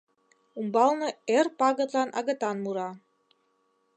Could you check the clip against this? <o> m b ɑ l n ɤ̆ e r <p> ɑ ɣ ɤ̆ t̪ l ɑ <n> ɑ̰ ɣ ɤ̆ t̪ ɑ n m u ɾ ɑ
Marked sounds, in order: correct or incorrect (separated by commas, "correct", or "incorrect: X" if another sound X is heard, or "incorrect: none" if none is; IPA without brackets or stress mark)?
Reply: incorrect: u, correct, correct